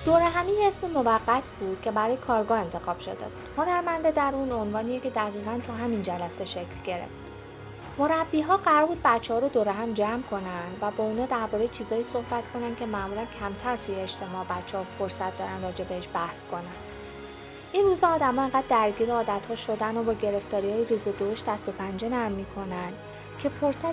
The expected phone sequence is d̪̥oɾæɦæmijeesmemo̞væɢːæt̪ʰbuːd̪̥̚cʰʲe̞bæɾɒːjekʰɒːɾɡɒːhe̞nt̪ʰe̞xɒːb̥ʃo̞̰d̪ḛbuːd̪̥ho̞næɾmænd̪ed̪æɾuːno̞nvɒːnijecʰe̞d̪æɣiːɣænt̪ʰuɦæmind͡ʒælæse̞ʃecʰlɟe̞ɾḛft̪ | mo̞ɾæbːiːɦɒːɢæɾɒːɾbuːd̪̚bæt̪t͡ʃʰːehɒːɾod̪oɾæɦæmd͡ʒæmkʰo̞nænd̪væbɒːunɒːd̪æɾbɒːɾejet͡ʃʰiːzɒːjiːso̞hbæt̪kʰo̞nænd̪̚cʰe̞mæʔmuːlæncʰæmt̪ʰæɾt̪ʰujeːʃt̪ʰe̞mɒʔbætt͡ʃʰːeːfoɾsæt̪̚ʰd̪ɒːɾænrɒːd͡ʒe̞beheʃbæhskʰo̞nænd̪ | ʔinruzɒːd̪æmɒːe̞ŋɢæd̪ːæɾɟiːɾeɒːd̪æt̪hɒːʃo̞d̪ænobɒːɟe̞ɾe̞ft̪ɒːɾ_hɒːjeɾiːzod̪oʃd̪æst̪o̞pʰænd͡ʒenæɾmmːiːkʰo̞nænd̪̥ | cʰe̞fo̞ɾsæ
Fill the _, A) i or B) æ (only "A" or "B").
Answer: A